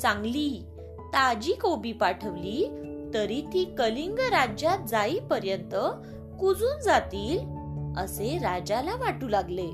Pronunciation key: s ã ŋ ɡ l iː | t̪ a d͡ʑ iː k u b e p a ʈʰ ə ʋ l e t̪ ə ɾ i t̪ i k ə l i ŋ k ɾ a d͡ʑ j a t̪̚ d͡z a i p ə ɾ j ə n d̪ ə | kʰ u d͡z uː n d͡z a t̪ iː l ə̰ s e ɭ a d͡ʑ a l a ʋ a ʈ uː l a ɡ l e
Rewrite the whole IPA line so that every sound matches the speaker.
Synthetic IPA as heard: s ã ŋ ɡ l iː | t̪ a d͡ʑ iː k o b i p a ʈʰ ə ʋ l i t̪ ə ɾ i t̪ i k ə l i ŋ ɡ ɾ a d͡ʑ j a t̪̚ d͡z a i p ə ɾ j ə n t̪ ə | k u d͡z uː n d͡z a t̪ iː l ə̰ s e ɾ a d͡ʑ a l a ʋ a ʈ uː l a ɡ l e